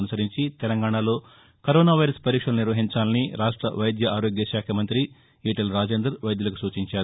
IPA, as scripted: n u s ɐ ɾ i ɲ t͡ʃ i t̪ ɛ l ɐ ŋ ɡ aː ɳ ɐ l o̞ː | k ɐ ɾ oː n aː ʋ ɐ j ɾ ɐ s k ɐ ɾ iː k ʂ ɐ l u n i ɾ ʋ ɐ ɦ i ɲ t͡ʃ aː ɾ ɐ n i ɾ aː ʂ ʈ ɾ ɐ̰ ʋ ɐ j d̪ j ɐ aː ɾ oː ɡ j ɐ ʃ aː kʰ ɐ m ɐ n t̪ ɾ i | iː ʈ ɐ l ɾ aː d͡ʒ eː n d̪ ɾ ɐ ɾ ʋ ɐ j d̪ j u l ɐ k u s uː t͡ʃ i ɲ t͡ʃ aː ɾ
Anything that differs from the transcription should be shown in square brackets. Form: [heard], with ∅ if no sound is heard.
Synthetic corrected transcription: n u s ɐ ɾ i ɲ t͡ʃ i t̪ ɛ l ɐ ŋ ɡ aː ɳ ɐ l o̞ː | k ɐ ɾ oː n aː ʋ ɐ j ɾ ɐ s [p] ɐ ɾ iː k ʂ ɐ l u n i ɾ ʋ ɐ ɦ i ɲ t͡ʃ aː [l] ɐ n i ɾ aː ʂ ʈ ɾ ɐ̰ ʋ ɐ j d̪ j ɐ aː ɾ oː ɡ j ɐ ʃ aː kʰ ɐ m ɐ n t̪ ɾ i | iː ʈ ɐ l ɾ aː d͡ʒ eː n d̪ ɾ ɐ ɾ ʋ ɐ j d̪ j u l ɐ k u s uː t͡ʃ i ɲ t͡ʃ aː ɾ